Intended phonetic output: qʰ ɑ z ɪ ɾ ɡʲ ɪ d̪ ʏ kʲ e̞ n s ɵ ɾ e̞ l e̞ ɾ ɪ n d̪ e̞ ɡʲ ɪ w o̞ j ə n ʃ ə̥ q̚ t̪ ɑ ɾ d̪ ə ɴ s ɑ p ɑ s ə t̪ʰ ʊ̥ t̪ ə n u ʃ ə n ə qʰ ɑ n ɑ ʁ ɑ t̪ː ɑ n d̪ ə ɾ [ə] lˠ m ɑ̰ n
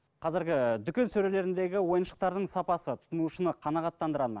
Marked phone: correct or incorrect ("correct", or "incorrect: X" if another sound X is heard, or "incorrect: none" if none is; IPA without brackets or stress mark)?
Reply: incorrect: ɑ